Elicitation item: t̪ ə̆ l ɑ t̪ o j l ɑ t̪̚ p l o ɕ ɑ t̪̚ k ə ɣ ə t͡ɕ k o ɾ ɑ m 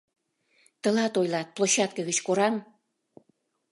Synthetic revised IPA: t̪ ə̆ l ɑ t̪ o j l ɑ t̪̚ p l o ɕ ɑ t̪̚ k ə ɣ ə t͡ɕ k o ɾ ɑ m